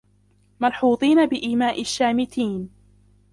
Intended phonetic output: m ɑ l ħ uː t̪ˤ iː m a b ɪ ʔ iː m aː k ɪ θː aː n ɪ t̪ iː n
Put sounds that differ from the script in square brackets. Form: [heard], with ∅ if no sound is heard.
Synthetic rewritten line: m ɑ l ħ uː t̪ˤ iː [n] a b ɪ ʔ iː m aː [ʔ] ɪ [ʃː] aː [m] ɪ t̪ iː n